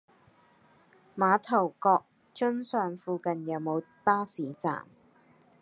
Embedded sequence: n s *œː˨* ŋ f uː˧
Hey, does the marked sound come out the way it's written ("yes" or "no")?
yes